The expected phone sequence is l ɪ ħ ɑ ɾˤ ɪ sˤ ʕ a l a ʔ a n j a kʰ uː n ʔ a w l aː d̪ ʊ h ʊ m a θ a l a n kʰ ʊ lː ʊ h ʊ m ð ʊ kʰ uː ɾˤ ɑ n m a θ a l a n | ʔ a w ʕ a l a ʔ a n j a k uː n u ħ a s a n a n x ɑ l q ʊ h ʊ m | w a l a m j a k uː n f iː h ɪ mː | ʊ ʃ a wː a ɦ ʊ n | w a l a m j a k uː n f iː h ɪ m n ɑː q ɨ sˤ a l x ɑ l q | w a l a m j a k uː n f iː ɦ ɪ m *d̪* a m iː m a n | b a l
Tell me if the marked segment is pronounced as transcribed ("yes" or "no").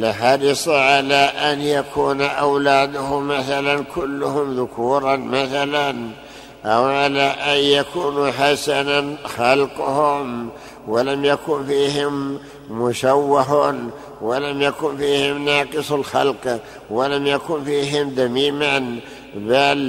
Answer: yes